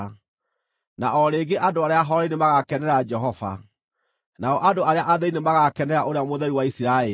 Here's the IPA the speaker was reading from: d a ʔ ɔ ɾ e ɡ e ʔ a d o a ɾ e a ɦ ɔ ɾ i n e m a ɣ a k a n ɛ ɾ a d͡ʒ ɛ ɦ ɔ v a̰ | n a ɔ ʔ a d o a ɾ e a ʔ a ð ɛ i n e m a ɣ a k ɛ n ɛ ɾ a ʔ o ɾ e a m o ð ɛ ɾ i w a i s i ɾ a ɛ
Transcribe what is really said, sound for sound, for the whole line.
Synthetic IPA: n a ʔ ɔ ɾ e ɡ e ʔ a d o a ɾ e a ɦ ɔ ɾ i n e m a ɣ a k ɛ n ɛ ɾ a d͡ʒ ɛ ɦ ɔ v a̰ | n a ɔ ʔ a d o a ɾ e a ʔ a ð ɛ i n e m a ɣ a k ɛ n ɛ ɾ a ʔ o ɾ e a m o ð ɛ ɾ i w a i s i ɾ a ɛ